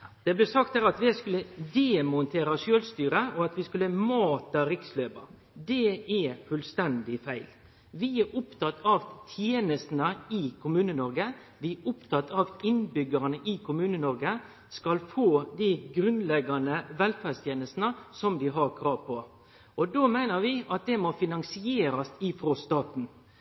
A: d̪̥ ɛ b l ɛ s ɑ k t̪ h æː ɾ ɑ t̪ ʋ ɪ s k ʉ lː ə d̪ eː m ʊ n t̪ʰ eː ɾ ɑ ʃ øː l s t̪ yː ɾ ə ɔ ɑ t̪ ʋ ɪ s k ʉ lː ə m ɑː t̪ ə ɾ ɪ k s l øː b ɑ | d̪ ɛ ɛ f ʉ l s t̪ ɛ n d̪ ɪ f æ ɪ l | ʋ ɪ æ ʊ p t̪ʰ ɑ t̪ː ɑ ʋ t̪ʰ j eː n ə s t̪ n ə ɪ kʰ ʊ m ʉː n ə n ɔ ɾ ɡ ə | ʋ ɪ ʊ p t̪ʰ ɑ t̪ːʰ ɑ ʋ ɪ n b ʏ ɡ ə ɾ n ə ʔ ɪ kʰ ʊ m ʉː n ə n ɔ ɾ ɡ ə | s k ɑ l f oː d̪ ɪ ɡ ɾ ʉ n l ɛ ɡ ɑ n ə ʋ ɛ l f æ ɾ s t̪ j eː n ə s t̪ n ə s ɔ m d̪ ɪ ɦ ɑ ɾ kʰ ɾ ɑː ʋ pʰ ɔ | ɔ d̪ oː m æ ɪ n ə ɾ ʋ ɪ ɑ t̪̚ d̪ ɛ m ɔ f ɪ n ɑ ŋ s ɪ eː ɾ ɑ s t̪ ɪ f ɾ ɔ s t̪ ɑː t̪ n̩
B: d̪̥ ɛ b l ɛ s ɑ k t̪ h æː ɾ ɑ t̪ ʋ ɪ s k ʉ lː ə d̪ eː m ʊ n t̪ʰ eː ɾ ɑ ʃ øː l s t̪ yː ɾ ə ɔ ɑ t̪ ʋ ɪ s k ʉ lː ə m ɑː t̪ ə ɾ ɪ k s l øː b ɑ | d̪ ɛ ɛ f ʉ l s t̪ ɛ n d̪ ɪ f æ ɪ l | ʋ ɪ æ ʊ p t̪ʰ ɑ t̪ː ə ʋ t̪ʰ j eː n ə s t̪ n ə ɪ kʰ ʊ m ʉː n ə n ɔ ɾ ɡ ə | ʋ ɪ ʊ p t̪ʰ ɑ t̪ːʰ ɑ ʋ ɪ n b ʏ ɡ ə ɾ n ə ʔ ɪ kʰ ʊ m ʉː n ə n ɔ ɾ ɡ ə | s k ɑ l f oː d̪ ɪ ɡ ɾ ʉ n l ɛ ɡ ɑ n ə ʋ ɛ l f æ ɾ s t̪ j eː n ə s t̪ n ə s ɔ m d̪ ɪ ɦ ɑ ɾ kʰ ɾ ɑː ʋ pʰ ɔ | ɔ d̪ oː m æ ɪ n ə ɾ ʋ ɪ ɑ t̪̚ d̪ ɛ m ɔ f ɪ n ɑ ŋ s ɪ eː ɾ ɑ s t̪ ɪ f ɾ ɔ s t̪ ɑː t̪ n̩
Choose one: A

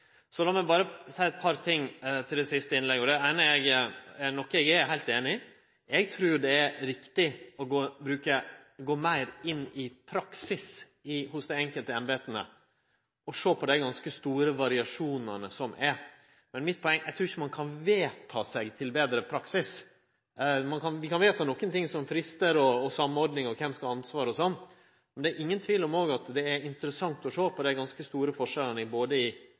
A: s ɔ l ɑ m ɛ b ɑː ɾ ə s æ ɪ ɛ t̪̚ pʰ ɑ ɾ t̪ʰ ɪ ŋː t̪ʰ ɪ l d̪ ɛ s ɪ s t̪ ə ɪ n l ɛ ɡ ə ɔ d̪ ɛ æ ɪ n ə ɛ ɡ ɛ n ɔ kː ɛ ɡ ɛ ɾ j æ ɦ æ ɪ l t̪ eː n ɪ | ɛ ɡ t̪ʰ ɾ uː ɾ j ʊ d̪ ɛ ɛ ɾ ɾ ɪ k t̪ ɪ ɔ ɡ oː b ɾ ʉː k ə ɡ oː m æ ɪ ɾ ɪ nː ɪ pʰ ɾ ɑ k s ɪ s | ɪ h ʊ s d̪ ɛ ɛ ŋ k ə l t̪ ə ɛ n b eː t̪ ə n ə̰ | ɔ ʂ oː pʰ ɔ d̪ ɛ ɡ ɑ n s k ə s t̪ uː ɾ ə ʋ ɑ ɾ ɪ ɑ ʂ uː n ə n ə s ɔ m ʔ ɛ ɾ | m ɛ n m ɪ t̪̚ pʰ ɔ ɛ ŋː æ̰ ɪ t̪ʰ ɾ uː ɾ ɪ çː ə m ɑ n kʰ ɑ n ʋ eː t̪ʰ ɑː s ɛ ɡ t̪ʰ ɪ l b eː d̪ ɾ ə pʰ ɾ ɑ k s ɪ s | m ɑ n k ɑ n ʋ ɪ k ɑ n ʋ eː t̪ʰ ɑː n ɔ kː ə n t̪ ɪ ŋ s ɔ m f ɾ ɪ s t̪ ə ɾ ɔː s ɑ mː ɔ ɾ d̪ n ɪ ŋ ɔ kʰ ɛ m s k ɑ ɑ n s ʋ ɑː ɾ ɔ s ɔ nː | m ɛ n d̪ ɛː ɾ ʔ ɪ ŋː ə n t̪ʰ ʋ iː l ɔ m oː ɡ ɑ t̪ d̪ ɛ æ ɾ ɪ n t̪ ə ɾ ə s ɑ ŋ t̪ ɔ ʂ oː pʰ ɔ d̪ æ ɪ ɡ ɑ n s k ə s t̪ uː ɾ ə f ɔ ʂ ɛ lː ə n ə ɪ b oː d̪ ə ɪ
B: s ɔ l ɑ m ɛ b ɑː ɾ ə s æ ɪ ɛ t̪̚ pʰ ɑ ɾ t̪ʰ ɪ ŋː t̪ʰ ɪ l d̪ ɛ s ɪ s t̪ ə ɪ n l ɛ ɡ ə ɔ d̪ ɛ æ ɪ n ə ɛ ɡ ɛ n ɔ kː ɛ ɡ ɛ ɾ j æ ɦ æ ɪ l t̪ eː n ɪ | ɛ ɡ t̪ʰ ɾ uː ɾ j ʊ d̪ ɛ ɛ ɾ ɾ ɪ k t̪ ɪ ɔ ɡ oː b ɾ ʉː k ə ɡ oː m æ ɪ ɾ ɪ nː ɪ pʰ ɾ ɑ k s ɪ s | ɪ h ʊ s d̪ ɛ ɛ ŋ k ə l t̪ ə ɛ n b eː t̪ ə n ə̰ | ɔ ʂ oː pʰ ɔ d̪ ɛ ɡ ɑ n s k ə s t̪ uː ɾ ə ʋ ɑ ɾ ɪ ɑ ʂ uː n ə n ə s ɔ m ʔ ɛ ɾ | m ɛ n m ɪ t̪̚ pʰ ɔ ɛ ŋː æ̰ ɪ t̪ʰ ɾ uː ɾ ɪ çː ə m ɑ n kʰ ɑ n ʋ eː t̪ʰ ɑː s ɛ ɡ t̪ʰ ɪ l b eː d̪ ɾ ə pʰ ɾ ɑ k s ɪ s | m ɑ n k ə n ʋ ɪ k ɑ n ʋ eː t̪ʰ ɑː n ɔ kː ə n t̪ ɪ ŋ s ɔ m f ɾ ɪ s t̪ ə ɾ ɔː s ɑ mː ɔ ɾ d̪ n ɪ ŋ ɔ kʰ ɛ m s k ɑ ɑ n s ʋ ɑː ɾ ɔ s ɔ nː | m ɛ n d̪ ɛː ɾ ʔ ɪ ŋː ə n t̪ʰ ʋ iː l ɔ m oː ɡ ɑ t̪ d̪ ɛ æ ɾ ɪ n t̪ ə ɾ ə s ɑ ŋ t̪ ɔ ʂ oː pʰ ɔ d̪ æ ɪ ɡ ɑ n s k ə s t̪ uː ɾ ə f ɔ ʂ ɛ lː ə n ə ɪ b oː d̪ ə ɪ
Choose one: A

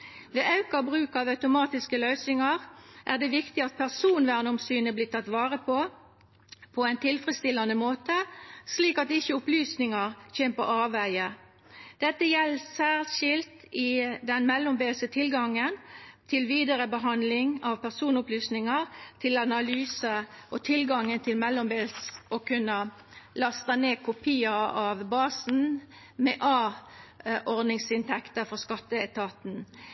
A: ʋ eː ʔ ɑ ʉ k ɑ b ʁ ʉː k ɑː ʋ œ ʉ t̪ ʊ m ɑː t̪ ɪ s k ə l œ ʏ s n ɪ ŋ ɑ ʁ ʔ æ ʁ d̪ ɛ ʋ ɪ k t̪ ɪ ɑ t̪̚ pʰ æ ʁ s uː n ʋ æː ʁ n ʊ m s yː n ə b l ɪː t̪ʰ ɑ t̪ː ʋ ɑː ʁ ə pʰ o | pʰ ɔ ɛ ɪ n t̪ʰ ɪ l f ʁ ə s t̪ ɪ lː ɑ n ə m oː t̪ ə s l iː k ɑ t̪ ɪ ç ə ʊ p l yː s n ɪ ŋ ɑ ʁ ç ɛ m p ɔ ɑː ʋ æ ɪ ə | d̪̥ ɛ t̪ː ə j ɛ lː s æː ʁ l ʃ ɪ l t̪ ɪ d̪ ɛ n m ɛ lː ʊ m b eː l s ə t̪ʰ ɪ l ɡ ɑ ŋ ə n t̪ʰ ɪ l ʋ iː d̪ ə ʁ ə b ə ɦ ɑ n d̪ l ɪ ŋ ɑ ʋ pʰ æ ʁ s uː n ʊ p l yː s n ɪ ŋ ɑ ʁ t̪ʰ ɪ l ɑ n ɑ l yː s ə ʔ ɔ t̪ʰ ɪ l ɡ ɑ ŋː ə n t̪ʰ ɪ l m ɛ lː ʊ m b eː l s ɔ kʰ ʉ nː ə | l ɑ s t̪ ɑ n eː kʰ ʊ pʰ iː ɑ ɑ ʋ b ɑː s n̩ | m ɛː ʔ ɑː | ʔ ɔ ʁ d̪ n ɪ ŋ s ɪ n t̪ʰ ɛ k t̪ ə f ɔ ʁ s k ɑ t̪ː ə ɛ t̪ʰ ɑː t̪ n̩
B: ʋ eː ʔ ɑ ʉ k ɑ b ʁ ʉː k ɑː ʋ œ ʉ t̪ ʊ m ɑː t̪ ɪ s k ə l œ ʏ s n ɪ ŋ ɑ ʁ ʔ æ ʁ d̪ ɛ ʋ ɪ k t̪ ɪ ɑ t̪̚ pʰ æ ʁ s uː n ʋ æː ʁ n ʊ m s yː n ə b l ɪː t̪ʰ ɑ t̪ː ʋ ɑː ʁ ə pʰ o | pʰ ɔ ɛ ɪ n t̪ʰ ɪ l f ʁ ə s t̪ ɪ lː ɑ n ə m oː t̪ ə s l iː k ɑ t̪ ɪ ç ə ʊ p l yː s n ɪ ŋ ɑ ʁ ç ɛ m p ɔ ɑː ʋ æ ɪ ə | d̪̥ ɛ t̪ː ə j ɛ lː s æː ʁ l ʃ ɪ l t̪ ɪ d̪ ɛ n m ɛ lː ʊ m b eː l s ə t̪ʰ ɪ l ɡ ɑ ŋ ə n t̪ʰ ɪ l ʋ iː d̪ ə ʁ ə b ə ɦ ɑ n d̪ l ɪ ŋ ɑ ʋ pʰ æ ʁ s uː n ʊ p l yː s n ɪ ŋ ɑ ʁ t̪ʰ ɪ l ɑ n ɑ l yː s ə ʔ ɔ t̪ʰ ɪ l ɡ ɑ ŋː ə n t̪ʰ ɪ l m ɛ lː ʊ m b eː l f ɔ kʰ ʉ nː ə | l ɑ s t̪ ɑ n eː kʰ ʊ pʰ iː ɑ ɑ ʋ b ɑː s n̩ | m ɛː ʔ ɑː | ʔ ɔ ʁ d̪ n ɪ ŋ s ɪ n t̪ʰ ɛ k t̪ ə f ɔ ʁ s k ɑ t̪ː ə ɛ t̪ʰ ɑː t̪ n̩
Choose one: A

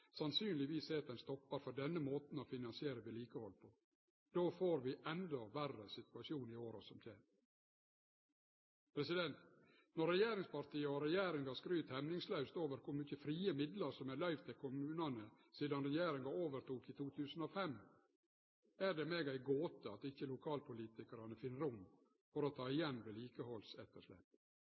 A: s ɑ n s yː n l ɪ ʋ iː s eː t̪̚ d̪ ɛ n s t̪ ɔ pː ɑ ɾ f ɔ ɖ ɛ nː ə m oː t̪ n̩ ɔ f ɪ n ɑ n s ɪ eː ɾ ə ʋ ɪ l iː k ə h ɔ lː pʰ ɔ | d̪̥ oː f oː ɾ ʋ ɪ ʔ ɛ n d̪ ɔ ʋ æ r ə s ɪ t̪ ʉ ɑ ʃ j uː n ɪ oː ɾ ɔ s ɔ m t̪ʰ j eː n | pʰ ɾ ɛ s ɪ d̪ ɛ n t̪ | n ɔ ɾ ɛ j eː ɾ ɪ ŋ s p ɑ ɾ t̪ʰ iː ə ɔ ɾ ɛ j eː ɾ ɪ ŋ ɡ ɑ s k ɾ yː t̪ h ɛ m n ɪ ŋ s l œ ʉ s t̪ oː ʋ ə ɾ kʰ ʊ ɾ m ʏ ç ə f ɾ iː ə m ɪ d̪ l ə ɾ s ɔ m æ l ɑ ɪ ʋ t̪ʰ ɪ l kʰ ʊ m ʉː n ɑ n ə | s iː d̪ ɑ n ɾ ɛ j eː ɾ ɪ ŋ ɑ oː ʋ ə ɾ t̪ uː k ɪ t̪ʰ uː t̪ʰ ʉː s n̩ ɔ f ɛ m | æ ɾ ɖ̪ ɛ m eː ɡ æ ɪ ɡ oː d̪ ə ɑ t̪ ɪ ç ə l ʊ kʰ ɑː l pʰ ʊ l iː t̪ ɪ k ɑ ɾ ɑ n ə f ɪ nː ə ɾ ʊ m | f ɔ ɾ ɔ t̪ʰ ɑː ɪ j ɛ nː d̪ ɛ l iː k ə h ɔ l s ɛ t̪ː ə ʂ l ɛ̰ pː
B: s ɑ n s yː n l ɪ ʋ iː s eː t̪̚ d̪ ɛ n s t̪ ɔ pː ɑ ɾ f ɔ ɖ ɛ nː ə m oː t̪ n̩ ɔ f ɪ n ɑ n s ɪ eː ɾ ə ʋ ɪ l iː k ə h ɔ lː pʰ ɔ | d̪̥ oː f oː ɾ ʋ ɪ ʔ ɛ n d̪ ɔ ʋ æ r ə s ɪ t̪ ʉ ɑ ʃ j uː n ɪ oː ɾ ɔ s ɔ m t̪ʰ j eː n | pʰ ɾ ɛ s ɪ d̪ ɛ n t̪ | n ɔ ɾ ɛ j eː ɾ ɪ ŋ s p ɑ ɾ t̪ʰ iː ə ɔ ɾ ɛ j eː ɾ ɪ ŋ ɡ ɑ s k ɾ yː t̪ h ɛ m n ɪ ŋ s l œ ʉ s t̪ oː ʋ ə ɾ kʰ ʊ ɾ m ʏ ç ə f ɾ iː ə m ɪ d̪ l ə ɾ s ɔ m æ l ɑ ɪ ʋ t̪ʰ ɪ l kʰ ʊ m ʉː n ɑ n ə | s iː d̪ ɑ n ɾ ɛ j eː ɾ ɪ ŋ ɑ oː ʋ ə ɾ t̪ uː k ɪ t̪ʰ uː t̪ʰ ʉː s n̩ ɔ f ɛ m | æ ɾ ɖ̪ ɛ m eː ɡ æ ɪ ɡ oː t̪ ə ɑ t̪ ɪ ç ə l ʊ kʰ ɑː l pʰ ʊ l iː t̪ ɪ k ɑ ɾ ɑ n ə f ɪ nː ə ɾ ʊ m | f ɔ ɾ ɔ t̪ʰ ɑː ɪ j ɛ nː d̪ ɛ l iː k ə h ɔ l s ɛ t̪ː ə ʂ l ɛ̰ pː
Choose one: B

